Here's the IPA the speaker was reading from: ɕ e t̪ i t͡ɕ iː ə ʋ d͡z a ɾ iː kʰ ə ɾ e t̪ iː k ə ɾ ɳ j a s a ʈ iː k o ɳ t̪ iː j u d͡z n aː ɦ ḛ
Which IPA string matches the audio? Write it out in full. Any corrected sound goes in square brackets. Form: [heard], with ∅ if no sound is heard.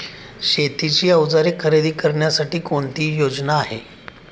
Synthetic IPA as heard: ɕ e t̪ i t͡ɕ iː ə ʋ d͡z a ɾ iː kʰ ə ɾ e [d̪] iː k ə ɾ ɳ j a s a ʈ iː k o ɳ t̪ iː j [o] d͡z n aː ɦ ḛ